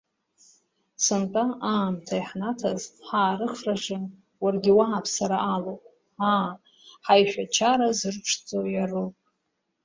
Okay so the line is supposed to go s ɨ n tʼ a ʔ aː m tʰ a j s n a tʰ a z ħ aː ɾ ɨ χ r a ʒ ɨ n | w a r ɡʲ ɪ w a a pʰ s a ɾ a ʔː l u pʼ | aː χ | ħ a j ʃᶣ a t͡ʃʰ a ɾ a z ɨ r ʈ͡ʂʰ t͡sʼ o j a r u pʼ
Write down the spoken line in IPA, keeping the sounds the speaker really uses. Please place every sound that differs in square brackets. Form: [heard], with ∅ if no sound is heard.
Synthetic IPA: s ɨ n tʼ a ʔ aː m tʰ a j [ħ] n a tʰ a z ħ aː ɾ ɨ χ r a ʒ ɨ n | w a r ɡʲ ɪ w a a pʰ s a ɾ a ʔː l [o] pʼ | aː [∅] | ħ a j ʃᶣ a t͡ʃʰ a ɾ a z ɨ r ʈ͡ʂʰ t͡sʼ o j a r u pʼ

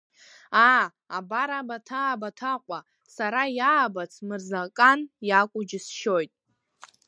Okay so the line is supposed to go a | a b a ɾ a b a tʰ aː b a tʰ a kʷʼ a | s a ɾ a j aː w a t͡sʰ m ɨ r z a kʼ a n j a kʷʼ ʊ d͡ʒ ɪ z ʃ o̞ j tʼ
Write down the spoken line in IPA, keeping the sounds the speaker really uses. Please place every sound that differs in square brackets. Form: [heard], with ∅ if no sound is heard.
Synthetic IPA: a | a b a ɾ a b a tʰ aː b a tʰ a [qʷʼ] a | s a ɾ a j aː [b] a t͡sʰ m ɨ r z a kʼ a n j a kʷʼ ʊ d͡ʒ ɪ [s] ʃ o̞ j tʼ

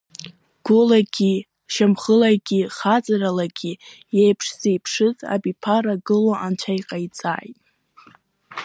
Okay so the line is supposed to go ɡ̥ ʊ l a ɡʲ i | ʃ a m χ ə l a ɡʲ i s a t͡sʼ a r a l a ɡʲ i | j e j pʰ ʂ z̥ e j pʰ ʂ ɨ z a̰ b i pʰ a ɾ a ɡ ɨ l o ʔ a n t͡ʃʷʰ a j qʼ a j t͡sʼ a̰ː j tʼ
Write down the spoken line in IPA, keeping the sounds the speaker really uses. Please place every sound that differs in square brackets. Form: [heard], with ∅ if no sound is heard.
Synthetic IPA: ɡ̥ ʊ l a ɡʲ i | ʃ a m χ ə l a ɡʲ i [χ] a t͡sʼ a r a l a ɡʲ i | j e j pʰ ʂ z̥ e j pʰ ʂ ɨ z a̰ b i pʰ a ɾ a ɡ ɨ l o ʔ a n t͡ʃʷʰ a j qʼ a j t͡sʼ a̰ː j tʼ

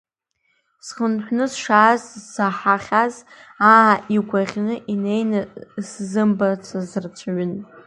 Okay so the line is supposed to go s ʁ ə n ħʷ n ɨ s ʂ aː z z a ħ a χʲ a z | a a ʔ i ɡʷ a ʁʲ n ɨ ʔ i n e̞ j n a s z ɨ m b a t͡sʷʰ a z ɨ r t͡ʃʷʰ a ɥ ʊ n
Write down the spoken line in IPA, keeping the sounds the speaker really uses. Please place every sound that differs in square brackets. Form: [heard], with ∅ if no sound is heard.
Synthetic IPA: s [χ] ə n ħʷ n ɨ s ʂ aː z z a ħ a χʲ a z | a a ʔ i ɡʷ a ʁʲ n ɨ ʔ i n e̞ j n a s z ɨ m b a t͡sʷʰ a z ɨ r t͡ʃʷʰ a ɥ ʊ n

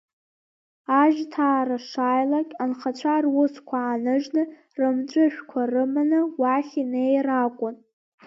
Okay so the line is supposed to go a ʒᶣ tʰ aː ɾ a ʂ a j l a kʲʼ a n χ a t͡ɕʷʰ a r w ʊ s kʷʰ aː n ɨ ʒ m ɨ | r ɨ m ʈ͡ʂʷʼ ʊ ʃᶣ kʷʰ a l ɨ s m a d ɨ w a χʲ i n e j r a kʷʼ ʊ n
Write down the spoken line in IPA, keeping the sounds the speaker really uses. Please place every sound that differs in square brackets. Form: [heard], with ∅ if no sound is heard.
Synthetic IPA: a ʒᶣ tʰ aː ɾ a ʂ a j l a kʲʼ a n χ a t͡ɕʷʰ a r w ʊ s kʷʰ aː n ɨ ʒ [n] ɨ | r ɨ m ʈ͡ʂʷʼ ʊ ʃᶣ kʷʰ a [r] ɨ [∅] m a [n] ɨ w a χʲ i n e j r a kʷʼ ʊ n

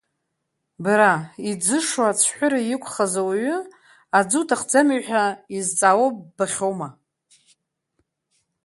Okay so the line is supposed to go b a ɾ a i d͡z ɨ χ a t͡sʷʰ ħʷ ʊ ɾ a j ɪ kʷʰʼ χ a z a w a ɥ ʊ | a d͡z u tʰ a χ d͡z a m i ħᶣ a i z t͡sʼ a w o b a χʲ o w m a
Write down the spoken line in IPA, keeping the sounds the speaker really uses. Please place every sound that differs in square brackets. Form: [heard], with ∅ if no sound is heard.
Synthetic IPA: b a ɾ a i d͡z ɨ [ʂ] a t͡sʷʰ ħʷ ʊ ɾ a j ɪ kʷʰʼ χ a z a w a ɥ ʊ | a d͡z u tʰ a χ d͡z a m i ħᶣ a i z t͡sʼ a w o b a χʲ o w m a

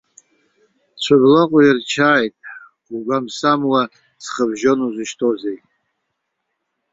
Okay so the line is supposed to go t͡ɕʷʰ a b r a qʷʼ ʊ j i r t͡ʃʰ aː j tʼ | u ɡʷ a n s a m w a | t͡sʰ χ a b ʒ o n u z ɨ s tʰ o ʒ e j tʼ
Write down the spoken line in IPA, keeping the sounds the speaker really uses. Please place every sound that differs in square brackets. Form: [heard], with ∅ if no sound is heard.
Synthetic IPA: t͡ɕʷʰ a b [l] a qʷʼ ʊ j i r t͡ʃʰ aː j tʼ | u ɡʷ a [m] s a m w a | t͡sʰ χ [ə] b ʒ o n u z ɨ [ʃ] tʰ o [z] e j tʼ

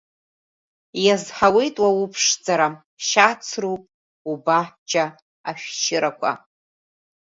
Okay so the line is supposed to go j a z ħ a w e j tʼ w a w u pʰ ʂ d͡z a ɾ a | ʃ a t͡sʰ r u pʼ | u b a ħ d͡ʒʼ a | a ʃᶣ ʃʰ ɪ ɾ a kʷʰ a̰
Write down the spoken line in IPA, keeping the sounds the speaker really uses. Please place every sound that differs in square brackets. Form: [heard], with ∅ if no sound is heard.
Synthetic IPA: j a z ħ a w e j tʼ w a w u pʰ ʂ d͡z a ɾ a | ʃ a t͡sʰ r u pʼ | u b a ħ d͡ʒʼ a | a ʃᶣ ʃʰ ɪ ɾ a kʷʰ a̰

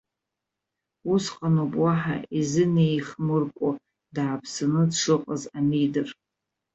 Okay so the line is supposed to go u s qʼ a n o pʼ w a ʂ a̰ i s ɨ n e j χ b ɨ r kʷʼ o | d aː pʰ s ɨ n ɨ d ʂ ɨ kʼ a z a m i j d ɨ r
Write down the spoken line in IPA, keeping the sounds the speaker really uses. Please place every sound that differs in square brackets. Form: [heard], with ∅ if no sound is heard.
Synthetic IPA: u s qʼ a n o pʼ w a [ħ] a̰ i [z] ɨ n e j χ [m] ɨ r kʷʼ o | d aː pʰ s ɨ n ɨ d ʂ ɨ [qʼ] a z a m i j d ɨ r

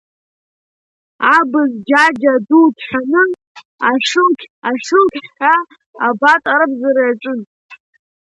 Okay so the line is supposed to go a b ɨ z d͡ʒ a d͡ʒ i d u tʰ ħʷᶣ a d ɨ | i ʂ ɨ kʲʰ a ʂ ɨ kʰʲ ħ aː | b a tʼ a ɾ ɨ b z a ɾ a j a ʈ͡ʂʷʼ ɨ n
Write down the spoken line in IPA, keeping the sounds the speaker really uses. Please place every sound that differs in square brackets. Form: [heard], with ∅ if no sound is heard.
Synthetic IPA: a b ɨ z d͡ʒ a d͡ʒ [a] d u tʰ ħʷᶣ a [n] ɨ | [a] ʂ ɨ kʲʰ a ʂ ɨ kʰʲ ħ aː | b a tʼ a ɾ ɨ b z a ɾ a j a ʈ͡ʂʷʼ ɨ n

